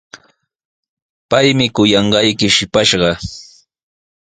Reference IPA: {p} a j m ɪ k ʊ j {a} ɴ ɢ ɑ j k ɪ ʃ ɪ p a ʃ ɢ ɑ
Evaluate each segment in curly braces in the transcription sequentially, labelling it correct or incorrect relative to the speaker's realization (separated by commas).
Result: correct, incorrect